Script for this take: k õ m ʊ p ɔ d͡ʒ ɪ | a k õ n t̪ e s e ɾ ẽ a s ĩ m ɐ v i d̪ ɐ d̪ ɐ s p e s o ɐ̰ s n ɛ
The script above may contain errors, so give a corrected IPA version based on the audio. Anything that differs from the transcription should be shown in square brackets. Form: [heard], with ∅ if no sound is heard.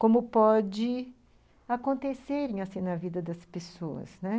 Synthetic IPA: k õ m ʊ p ɔ d͡ʒ ɪ | a k õ n t̪ e s e ɾ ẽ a s ĩ [n] ɐ v i d̪ ɐ d̪ ɐ s p e s o ɐ̰ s n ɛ